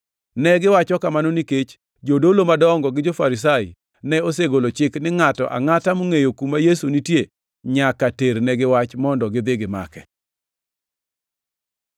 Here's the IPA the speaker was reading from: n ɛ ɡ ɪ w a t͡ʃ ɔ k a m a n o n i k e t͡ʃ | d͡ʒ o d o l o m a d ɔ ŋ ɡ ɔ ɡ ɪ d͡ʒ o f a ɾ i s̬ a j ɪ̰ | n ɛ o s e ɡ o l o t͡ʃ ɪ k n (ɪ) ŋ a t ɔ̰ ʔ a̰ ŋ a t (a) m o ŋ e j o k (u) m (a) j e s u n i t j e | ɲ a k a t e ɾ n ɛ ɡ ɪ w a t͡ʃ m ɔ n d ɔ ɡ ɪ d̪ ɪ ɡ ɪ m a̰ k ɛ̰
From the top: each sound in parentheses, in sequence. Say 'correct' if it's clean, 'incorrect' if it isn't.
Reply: correct, correct, correct, correct

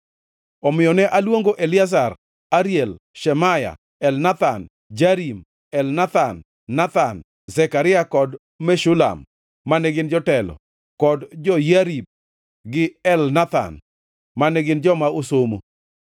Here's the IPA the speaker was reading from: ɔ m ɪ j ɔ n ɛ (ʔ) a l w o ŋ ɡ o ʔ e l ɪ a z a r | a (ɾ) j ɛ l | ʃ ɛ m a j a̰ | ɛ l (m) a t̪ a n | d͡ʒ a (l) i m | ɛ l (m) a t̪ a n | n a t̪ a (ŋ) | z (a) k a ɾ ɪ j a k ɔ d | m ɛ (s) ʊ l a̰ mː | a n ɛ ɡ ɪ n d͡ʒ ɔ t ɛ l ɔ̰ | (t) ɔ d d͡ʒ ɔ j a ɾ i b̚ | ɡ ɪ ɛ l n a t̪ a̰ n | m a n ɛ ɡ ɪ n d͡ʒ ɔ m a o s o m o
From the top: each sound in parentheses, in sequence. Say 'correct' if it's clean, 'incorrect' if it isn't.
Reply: correct, correct, incorrect, incorrect, incorrect, incorrect, incorrect, incorrect, incorrect

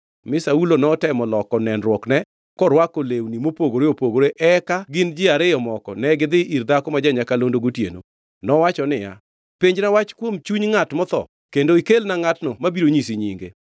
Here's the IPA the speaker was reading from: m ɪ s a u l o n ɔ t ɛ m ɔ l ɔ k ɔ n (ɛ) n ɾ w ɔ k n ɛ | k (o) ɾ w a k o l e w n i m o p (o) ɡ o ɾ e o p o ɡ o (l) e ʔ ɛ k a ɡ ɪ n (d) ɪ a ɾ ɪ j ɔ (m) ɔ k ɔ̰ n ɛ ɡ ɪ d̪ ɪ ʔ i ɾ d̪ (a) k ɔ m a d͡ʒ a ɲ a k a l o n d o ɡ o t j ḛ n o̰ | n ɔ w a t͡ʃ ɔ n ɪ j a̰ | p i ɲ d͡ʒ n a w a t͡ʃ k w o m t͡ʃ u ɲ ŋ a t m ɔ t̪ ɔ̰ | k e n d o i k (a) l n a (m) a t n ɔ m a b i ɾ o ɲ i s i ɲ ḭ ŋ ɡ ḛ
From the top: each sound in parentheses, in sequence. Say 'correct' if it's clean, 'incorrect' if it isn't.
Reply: correct, incorrect, correct, incorrect, incorrect, correct, correct, incorrect, incorrect

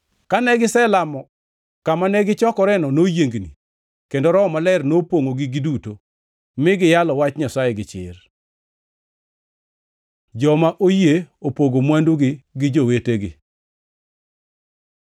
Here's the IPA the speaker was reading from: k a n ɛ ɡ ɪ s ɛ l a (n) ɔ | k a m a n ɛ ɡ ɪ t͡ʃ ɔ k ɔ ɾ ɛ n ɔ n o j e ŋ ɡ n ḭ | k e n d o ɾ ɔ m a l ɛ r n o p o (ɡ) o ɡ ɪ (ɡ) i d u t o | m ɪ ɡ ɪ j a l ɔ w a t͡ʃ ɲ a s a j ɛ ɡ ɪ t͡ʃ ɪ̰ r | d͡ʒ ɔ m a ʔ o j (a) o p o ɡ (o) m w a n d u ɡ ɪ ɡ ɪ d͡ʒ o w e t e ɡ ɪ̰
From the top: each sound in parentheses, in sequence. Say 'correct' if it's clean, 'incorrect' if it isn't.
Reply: incorrect, incorrect, correct, incorrect, correct

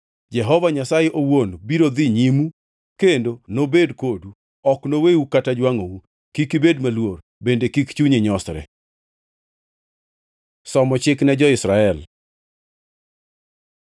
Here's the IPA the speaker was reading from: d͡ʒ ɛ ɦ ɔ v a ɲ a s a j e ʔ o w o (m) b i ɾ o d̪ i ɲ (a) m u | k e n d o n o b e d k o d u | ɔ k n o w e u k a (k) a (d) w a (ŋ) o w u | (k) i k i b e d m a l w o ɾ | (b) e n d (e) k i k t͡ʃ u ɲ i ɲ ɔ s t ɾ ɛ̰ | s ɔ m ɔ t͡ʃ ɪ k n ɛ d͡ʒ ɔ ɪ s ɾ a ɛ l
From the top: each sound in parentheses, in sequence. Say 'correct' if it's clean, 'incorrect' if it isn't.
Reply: incorrect, incorrect, incorrect, incorrect, correct, correct, correct, correct

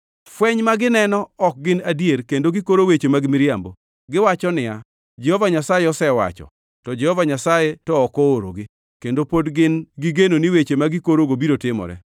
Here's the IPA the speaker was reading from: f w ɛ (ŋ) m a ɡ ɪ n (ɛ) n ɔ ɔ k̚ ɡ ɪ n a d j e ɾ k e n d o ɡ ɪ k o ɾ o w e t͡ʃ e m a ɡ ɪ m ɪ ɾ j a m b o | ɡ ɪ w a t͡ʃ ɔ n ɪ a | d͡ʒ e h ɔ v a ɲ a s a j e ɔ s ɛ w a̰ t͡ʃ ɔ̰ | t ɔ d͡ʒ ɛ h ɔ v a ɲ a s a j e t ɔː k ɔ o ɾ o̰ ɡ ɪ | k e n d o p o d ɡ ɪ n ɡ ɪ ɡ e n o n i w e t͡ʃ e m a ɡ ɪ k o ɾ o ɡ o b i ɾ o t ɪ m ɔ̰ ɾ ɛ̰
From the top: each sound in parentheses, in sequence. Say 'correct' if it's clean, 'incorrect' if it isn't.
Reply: incorrect, correct

